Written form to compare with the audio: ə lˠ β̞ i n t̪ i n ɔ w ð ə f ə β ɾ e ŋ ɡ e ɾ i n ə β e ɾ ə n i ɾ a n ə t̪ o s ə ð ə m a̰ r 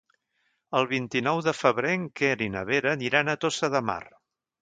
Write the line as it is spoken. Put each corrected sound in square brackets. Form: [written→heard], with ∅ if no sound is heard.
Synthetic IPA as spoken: ə lˠ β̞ i n t̪ i n ɔ w ð ə f ə β ɾ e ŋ [ɡ→k] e ɾ i n ə β e ɾ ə n i ɾ a n ə t̪ o s ə ð ə m a̰ r